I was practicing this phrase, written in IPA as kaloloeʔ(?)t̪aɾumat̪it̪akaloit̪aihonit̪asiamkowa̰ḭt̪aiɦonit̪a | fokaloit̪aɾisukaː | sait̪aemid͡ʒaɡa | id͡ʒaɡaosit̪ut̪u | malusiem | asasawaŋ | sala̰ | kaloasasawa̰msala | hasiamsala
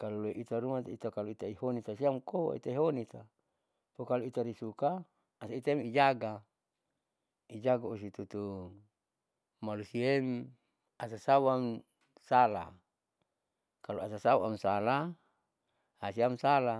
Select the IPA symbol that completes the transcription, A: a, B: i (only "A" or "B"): B